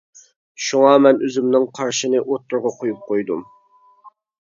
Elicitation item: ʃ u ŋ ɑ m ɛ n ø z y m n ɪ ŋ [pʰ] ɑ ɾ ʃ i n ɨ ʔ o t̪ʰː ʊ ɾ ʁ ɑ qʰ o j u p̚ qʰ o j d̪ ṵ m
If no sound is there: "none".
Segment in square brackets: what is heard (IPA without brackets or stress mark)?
qʰ